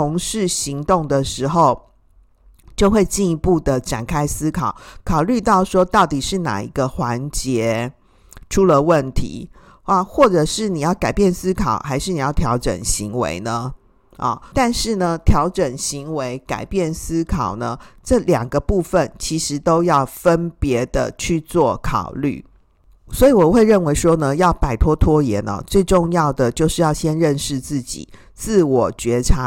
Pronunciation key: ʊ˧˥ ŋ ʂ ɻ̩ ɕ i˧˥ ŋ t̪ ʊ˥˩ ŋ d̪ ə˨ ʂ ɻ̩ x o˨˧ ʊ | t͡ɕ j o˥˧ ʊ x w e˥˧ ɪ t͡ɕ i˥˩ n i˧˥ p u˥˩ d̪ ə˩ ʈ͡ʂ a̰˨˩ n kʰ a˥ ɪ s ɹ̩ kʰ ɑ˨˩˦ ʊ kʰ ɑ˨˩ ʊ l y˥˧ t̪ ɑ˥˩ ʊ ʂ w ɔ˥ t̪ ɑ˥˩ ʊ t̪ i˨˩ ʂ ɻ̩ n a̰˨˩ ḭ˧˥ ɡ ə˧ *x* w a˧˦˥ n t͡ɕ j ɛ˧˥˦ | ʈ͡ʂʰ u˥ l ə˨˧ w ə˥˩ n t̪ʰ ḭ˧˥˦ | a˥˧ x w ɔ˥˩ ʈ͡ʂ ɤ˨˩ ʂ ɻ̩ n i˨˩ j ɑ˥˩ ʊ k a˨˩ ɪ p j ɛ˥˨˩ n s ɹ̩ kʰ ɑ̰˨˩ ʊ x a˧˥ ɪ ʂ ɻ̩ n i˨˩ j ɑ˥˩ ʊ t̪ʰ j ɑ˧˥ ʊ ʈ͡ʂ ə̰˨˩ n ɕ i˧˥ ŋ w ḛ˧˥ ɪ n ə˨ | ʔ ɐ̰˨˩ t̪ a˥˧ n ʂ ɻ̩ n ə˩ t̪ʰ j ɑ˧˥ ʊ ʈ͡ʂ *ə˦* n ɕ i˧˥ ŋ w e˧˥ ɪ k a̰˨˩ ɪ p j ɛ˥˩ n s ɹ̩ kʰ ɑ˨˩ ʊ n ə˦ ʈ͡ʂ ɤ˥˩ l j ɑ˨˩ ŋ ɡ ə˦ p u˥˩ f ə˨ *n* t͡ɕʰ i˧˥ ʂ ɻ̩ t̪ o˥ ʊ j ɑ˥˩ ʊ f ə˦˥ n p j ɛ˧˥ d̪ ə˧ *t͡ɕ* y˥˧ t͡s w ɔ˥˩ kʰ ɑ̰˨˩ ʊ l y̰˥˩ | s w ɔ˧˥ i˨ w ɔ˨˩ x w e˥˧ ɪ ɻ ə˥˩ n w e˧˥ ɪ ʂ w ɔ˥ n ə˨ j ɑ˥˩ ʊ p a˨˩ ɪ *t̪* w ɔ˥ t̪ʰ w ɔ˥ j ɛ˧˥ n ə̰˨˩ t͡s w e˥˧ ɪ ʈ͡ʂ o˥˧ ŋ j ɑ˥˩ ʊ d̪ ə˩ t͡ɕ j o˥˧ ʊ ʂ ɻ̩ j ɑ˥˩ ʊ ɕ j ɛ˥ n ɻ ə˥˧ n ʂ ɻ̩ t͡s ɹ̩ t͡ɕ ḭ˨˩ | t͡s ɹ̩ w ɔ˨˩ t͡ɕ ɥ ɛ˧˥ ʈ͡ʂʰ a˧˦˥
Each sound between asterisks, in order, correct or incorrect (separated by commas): correct, incorrect, correct, incorrect, incorrect